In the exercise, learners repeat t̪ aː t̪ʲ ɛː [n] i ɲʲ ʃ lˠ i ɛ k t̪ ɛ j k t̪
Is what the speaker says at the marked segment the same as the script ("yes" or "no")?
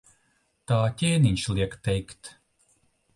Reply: yes